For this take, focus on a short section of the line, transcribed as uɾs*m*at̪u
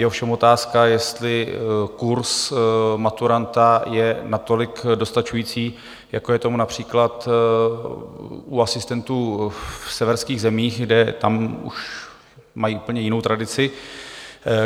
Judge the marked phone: correct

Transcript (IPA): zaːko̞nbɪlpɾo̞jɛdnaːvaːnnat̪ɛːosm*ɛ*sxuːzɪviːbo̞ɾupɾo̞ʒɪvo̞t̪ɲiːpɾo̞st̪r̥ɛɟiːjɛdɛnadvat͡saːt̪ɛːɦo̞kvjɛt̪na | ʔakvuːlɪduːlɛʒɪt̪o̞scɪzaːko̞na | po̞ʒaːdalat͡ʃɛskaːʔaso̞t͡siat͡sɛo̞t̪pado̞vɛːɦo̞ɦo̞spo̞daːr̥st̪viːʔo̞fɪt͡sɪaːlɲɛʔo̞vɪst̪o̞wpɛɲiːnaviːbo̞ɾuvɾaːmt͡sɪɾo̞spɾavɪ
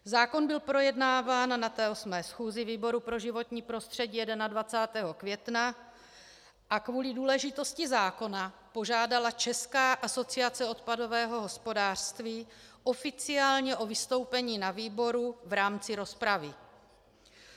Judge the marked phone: incorrect: ɛː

